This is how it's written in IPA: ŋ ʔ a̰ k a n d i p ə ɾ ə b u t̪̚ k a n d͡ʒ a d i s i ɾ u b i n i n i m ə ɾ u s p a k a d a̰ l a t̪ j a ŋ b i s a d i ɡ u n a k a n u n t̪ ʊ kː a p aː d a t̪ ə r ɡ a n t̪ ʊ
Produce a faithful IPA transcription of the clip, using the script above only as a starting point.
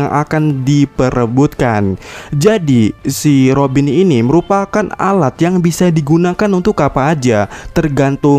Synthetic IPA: ŋ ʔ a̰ k a n d i p ə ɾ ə b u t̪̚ k a n d͡ʒ a d i s i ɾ o b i n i n i m ə ɾ u p a k a n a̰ l a t̪ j a ŋ b i s a d i ɡ u n a k a n u n t̪ ʊ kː a p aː d͡ʒ a t̪ ə r ɡ a n t̪ ʊ